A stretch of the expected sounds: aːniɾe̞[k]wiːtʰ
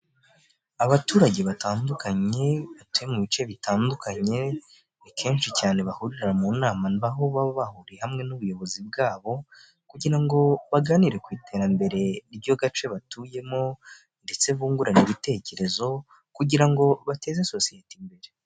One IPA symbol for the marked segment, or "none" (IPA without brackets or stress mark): k